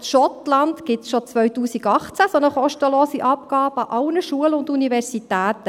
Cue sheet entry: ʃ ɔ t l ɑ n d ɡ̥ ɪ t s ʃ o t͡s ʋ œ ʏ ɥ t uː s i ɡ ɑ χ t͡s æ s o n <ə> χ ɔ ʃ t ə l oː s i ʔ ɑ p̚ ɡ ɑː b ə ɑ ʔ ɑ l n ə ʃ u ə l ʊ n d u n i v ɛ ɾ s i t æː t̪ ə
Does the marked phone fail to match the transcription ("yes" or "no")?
no